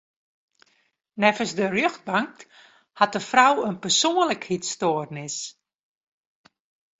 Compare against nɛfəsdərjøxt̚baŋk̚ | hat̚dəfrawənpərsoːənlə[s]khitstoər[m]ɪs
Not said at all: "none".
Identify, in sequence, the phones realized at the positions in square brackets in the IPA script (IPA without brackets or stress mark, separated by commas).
none, n